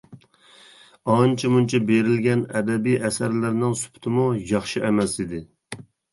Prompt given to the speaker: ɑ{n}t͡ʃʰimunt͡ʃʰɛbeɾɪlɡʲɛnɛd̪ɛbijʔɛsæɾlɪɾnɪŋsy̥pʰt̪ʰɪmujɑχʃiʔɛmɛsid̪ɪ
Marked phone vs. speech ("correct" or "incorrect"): correct